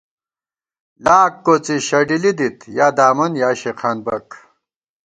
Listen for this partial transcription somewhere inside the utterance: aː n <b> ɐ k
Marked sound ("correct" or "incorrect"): correct